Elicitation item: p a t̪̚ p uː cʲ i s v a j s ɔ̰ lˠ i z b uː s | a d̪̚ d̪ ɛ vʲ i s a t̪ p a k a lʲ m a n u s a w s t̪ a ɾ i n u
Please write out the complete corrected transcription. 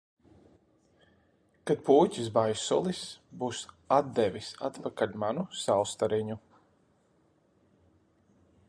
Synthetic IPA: k a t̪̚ p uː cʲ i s b a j s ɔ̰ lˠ i s b uː s | a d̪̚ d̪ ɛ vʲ i s a t̪ p a k a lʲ m a n u s a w s t̪ a ɾ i ɲ u